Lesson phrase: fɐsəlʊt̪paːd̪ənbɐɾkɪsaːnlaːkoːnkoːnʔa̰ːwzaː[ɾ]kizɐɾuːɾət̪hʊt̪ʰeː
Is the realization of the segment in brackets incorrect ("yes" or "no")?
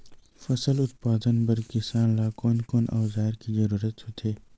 no